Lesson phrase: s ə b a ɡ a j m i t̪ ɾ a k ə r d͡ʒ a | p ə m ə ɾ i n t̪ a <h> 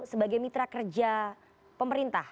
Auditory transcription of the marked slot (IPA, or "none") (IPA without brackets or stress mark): h